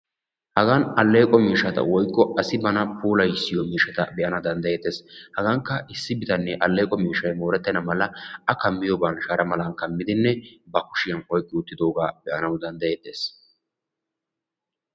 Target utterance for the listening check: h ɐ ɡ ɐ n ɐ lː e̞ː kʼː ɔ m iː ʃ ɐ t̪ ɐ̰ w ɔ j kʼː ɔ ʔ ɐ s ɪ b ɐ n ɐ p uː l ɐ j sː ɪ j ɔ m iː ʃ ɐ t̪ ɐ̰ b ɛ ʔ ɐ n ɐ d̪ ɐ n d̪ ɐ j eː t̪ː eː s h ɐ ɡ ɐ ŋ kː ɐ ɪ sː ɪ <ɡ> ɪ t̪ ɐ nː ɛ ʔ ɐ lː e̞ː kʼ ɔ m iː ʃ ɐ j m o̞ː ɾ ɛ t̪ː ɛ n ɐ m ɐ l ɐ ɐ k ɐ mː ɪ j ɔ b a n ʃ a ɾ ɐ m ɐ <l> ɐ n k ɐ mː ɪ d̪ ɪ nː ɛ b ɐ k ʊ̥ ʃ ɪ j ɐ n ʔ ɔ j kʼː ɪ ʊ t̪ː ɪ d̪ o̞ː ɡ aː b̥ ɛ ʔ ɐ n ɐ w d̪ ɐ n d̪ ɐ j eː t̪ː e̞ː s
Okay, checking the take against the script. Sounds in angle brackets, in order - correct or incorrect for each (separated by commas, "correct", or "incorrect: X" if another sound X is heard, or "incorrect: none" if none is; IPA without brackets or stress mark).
incorrect: b, correct